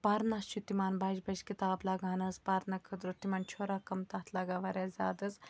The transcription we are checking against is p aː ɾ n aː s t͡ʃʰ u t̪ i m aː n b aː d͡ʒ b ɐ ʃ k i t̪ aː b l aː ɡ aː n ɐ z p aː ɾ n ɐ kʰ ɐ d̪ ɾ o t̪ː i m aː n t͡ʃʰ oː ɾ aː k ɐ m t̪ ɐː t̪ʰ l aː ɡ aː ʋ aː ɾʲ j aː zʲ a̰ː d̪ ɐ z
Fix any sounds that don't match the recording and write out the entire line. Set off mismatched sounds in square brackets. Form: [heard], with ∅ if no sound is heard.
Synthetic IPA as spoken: p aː ɾ n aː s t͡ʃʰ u t̪ i m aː n b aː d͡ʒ b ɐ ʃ k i t̪ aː b l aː ɡ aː n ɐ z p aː ɾ n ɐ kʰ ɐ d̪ ɾ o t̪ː i m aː n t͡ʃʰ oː ɾ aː k ɐ m t̪ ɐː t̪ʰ l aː ɡ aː ʋ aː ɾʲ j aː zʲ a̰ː d̪ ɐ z